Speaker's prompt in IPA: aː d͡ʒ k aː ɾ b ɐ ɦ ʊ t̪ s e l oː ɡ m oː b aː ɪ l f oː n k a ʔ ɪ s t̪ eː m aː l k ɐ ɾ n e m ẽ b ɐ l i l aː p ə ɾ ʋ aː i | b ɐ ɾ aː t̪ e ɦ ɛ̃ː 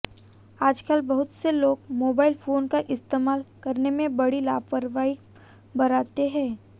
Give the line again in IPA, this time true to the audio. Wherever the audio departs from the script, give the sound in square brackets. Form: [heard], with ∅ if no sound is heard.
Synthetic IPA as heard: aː d͡ʒ k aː [l] b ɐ ɦ ʊ t̪ s e l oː ɡ m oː b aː ɪ l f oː n k a ʔ ɪ s t̪ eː m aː l k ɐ ɾ n e m ẽ b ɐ [ɽ] i l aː p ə ɾ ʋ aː i | b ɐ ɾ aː t̪ e ɦ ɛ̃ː